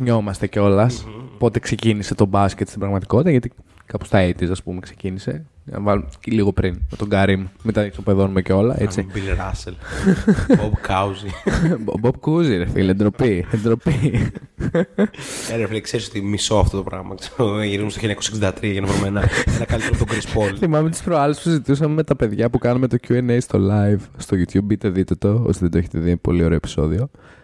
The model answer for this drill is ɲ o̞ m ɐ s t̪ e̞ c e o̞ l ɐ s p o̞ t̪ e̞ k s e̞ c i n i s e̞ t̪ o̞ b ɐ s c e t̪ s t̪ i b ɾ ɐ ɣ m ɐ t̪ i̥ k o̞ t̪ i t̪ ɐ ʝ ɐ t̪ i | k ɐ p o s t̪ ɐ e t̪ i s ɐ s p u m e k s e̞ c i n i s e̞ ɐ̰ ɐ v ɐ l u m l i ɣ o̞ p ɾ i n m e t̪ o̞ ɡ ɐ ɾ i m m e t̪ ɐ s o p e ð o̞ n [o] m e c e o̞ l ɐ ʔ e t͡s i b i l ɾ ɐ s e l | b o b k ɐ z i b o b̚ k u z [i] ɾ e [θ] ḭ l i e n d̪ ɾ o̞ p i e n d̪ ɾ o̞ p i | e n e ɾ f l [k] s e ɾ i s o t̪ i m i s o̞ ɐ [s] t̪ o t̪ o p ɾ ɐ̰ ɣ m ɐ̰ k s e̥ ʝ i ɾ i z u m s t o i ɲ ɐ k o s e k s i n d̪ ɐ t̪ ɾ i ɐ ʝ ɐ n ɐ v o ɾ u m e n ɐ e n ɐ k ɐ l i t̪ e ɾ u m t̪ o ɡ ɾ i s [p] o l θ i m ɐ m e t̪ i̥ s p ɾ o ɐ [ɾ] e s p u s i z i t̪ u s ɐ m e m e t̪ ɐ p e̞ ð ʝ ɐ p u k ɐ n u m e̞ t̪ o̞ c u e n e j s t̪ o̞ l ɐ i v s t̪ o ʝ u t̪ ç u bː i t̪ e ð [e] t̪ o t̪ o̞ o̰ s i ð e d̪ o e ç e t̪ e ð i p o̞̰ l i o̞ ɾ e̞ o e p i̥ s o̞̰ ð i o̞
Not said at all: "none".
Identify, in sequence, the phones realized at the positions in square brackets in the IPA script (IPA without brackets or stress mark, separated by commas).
u, i, f, k, f, p, l, i